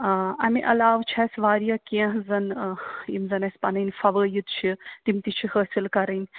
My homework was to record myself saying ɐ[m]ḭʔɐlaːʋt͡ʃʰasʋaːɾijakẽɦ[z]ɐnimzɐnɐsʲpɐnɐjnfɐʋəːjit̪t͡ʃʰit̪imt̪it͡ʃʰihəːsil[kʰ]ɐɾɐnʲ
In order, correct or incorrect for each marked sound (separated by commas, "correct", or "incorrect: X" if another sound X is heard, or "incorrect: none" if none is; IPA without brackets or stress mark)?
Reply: correct, correct, incorrect: k